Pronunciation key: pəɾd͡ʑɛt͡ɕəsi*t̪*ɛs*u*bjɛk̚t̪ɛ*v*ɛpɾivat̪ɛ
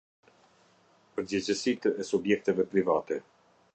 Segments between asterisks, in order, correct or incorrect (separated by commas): correct, correct, correct